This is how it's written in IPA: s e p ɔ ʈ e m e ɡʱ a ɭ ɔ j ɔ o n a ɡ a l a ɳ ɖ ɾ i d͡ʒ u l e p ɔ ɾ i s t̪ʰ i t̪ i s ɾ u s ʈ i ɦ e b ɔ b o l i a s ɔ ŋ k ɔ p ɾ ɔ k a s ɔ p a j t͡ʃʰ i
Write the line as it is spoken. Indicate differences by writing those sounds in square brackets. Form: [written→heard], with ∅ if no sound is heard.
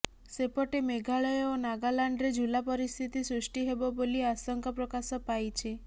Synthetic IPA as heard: s e p ɔ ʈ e m e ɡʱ a ɭ ɔ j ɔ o n a ɡ a l a ɳ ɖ ɾ [i→e] d͡ʒ u l [e→a] p ɔ ɾ i s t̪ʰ i t̪ i s ɾ u s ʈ i ɦ e b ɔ b o l i a s ɔ ŋ k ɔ p ɾ ɔ k a s ɔ p a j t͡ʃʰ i